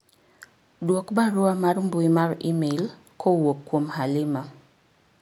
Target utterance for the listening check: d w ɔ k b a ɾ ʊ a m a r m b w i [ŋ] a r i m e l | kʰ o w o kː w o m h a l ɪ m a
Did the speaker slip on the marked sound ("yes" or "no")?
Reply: yes